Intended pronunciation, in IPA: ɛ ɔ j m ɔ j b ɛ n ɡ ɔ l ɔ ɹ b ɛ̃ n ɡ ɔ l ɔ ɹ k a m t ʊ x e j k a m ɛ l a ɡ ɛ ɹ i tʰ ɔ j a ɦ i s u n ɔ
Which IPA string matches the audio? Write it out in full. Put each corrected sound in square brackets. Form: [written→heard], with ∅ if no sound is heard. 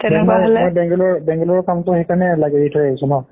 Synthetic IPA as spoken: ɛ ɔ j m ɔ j b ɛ [n→ŋ] ɡ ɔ l ɔ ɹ b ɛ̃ [n→ŋ] ɡ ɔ l ɔ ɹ k a m t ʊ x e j k a [m→n] ɛ l a ɡ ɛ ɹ i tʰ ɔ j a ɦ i s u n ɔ